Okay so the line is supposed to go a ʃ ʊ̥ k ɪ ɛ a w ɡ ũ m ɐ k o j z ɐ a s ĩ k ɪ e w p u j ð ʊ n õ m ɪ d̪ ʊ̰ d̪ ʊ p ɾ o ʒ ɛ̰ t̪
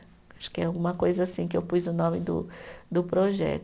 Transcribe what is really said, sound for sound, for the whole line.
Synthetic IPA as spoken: a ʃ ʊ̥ k ɪ ɛ a w ɡ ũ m ɐ k o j z ɐ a s ĩ k ɪ e w p u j z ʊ n õ m ɪ d̪ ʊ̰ d̪ ʊ p ɾ o ʒ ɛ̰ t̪